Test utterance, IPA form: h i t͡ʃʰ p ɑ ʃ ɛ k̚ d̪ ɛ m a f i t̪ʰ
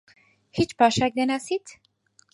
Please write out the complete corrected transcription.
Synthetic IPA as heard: h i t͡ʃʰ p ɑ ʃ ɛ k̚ d̪ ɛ n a s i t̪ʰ